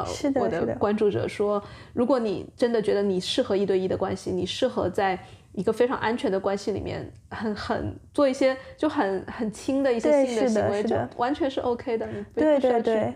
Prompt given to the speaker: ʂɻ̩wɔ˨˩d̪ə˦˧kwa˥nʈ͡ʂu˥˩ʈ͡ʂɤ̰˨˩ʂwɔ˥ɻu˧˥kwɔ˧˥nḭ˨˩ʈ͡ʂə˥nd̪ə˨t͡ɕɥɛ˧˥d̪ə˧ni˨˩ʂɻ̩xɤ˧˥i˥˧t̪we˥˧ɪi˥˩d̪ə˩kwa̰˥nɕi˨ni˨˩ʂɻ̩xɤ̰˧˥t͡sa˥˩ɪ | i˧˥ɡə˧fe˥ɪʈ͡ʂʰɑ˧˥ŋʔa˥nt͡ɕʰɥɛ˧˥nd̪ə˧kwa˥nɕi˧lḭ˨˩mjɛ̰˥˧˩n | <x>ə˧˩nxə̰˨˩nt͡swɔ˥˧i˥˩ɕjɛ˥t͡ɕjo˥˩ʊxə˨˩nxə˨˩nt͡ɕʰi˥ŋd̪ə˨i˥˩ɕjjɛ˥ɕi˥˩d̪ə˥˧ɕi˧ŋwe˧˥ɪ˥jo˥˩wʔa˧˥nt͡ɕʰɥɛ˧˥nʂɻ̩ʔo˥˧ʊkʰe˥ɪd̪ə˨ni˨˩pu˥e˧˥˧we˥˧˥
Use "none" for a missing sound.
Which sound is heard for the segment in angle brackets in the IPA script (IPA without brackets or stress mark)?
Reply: x